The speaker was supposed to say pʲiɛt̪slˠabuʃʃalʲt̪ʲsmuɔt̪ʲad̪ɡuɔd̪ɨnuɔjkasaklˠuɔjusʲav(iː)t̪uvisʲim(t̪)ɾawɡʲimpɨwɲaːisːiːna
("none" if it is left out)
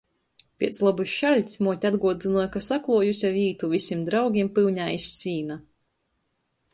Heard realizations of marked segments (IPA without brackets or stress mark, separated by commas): iː, d̪